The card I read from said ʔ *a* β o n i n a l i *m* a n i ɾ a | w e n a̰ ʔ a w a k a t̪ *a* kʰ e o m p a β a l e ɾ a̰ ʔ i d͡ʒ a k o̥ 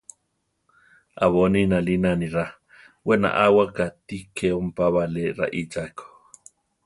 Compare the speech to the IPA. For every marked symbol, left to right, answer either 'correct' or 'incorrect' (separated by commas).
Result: correct, incorrect, incorrect